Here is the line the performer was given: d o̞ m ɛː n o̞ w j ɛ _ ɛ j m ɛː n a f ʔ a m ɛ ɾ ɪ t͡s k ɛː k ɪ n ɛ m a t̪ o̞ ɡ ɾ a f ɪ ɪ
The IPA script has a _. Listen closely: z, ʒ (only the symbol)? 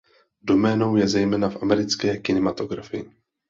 z